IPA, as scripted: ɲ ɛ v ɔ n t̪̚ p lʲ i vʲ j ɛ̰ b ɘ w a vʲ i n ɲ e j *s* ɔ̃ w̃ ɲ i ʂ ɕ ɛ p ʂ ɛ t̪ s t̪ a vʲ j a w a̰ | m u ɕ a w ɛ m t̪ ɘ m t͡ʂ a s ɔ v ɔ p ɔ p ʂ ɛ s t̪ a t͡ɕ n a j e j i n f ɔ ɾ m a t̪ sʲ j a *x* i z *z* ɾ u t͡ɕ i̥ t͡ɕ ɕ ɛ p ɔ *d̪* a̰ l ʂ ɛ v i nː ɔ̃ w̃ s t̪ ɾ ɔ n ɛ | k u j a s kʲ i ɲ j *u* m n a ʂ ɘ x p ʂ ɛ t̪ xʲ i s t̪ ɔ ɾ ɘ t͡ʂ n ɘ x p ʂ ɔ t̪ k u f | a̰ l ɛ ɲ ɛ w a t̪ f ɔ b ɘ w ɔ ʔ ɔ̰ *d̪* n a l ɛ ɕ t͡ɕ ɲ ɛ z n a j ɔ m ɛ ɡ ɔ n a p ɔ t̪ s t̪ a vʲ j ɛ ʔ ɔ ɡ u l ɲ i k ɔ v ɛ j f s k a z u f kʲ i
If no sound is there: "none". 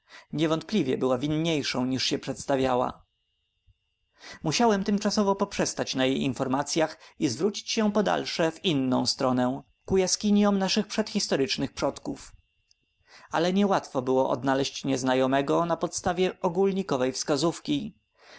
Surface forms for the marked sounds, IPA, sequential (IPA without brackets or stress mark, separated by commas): ʂ, x, v, d̪, ɔ, d̪